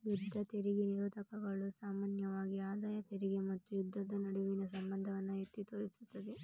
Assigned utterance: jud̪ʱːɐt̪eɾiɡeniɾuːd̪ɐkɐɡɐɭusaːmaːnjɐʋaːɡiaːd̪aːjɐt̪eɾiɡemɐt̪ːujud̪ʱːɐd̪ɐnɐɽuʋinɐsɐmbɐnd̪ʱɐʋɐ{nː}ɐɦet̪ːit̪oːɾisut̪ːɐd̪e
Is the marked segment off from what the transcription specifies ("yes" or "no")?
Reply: no